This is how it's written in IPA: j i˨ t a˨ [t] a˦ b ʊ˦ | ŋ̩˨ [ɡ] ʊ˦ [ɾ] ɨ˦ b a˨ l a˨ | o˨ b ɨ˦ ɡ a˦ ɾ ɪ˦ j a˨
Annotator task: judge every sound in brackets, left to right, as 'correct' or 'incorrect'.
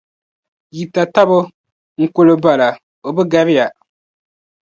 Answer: correct, incorrect, incorrect

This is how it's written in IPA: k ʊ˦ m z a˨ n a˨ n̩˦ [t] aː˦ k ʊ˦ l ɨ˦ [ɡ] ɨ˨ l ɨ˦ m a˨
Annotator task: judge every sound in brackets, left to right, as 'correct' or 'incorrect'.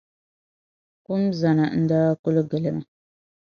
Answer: incorrect, correct

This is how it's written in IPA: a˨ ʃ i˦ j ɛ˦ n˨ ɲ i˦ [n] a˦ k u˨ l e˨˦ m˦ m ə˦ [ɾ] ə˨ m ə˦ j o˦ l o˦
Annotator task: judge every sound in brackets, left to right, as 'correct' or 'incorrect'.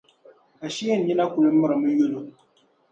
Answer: correct, correct

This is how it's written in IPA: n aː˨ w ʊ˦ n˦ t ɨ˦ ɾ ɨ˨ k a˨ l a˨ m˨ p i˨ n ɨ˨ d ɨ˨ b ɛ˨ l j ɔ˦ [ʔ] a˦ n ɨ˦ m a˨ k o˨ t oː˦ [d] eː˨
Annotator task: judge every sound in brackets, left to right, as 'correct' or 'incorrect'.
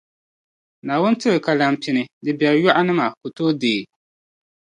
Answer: correct, correct

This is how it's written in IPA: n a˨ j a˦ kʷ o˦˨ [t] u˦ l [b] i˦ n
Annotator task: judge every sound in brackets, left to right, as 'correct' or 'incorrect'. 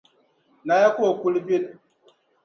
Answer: incorrect, correct

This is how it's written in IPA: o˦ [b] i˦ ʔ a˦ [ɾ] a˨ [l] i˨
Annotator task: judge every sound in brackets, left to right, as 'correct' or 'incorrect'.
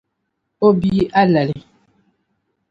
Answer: correct, incorrect, correct

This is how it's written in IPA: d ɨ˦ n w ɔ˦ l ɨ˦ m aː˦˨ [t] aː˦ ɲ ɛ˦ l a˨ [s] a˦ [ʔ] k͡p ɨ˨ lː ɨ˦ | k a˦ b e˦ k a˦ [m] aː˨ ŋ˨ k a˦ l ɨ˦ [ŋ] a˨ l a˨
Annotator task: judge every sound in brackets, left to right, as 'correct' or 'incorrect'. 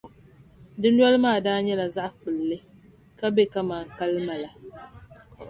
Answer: incorrect, incorrect, correct, correct, incorrect

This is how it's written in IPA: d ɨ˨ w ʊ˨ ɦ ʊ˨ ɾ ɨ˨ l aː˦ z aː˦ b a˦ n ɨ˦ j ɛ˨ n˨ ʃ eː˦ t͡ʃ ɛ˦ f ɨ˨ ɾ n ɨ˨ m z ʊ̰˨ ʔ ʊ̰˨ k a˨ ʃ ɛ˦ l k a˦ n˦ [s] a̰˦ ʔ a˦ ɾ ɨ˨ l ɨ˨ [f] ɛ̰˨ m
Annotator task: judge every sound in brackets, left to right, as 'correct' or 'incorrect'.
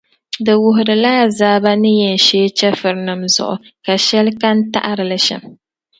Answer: incorrect, incorrect

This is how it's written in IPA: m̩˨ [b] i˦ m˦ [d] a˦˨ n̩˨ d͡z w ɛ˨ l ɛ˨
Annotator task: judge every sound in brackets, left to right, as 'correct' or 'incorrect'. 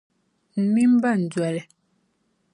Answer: incorrect, incorrect

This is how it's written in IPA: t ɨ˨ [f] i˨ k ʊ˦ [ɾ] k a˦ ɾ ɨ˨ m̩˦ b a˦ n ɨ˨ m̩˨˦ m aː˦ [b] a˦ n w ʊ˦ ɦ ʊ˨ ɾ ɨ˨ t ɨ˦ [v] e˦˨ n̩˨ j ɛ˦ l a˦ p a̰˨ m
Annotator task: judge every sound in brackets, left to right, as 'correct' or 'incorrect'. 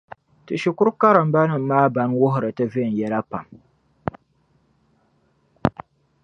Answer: incorrect, correct, correct, correct

